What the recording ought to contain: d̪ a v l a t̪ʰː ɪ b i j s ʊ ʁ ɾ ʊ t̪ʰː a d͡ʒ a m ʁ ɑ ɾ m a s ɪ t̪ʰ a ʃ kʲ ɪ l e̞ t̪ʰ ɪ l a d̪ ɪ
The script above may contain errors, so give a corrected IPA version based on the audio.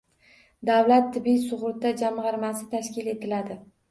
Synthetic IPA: d̪ a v l a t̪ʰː ɪ b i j s ʊ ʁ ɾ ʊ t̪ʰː a d͡ʒ a m ʁ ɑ ɾ m a s ɪ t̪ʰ a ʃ kʲ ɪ l e̞ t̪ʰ ɪ l a d̪ ɪ